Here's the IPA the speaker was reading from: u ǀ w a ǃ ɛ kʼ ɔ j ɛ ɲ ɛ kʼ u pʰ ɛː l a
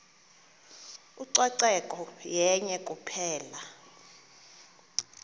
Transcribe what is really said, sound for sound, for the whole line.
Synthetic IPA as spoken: u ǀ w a ǀ ɛ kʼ ɔ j ɛ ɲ ɛ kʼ u pʰ ɛː l a